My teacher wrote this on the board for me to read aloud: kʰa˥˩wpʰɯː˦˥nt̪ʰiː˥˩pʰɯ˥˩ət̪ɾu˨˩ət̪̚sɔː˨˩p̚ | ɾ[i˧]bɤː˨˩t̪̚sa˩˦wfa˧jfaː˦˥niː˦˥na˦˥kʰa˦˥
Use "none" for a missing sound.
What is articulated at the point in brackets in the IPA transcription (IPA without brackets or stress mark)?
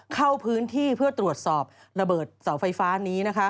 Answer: a˧